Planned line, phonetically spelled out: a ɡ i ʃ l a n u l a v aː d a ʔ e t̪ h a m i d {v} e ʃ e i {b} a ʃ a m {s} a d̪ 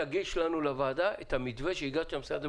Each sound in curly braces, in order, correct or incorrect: correct, incorrect: ɡ, correct

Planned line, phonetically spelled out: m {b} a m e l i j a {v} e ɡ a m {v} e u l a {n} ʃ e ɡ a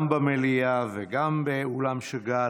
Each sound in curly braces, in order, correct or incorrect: correct, correct, incorrect: b, incorrect: m

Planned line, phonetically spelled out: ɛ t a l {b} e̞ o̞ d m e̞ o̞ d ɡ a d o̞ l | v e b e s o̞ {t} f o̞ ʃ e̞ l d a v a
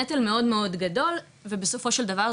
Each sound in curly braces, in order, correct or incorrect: incorrect: m, incorrect: none

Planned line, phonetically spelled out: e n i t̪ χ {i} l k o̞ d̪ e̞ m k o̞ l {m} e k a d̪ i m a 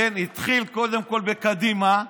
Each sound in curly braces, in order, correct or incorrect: correct, incorrect: b

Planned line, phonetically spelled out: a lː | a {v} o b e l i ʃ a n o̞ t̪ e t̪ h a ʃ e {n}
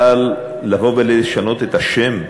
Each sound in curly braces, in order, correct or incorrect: correct, incorrect: m

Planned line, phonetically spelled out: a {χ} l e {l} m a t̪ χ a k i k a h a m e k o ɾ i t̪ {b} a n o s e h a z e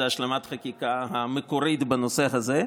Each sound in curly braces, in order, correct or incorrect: incorrect: ʃ, incorrect: none, correct

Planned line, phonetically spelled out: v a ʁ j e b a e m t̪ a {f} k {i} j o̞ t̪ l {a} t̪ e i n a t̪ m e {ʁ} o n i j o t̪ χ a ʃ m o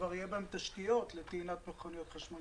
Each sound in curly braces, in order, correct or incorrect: incorrect: ʃ, correct, incorrect: e, incorrect: χ

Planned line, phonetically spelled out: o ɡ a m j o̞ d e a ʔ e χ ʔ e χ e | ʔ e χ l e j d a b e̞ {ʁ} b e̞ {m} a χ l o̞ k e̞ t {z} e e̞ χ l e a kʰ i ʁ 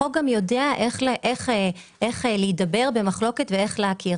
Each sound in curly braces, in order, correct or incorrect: correct, correct, incorrect: v

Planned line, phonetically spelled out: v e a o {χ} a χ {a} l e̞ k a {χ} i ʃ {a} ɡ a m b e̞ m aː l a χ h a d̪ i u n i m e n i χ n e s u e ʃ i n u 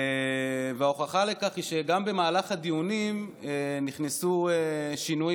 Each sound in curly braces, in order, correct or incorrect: correct, correct, correct, incorrect: e

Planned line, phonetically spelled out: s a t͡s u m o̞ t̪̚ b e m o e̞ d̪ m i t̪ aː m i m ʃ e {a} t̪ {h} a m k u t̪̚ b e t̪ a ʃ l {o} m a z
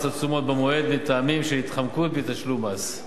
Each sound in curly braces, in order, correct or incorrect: incorrect: i, incorrect: χ, incorrect: u

